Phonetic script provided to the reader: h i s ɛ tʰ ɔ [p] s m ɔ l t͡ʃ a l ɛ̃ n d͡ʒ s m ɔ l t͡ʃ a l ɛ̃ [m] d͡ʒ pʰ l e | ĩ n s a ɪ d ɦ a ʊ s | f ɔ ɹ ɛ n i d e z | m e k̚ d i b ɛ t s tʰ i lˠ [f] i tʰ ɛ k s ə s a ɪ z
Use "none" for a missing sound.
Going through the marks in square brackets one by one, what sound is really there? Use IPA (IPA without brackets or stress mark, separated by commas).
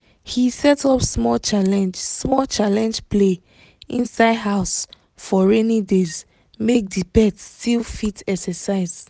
p, n, f